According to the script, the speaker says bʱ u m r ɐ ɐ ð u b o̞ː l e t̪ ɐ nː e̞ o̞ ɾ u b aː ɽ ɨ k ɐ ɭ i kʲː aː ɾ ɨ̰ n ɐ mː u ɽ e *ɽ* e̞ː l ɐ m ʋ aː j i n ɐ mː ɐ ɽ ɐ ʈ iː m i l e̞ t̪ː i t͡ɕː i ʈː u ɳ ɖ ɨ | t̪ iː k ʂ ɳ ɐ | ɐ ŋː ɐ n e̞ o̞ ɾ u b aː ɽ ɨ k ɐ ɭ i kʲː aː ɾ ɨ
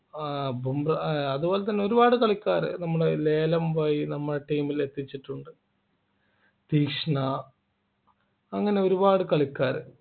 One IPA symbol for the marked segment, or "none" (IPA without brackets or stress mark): l